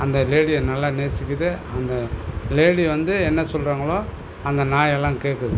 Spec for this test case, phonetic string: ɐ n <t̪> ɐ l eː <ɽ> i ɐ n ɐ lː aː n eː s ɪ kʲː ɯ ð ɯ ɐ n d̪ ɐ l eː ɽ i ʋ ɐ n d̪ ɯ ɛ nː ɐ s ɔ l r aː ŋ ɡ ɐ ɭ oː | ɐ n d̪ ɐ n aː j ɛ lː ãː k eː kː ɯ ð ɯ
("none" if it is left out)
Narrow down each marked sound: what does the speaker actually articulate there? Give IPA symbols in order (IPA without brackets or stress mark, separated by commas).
d̪, ɽ